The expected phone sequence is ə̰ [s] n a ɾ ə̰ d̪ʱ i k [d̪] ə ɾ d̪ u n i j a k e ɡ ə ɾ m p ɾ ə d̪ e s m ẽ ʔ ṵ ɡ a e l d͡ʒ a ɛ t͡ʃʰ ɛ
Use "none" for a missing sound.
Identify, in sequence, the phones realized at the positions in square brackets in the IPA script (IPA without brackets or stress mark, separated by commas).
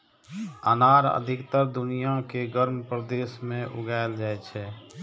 none, t̪